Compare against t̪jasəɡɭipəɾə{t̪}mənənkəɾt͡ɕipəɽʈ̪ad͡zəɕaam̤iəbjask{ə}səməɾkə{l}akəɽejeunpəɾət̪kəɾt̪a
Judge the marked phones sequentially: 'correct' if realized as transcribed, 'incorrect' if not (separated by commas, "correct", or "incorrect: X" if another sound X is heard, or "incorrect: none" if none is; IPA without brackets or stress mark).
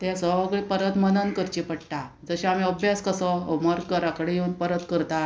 correct, correct, incorrect: ɾ